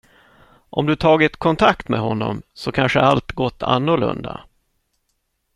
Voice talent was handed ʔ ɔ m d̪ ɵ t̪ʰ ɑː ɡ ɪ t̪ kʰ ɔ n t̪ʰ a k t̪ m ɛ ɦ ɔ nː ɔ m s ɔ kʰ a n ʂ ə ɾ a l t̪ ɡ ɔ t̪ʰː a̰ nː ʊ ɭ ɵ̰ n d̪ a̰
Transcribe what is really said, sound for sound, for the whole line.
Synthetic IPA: ʔ ɔ m d̪ ɵ t̪ʰ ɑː ɡ ɪ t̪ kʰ ɔ n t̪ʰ a k t̪ m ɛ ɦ ɔ nː ɔ m s ɔ kʰ a n ʂ ə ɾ a l t̪ ɡ ɔ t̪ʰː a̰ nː ʊ ɭ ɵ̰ n d̪ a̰